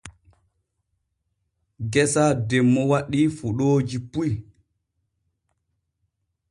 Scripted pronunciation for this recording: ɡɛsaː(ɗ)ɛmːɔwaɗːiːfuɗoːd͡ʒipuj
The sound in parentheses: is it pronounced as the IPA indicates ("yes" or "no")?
no